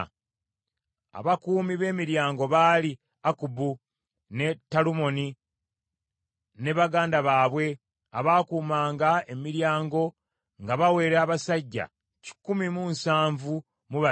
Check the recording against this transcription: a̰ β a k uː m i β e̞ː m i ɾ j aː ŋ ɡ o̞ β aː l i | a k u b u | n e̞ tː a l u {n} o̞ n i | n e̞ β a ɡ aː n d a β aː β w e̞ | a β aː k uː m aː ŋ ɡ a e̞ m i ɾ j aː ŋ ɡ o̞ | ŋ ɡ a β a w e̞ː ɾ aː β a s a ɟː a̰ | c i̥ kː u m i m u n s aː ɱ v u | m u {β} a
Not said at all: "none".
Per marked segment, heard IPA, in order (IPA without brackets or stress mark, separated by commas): m, β